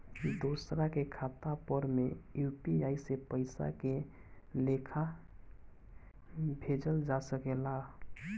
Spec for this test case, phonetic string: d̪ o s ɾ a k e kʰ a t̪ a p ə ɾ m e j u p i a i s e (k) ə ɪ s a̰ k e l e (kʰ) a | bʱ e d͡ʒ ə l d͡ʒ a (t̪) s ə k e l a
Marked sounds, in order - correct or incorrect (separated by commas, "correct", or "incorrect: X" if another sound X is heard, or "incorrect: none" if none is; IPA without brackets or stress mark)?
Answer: incorrect: p, correct, incorrect: none